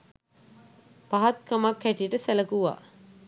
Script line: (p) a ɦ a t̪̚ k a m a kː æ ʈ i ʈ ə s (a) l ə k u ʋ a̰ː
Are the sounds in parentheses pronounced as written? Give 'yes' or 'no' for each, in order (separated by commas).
yes, no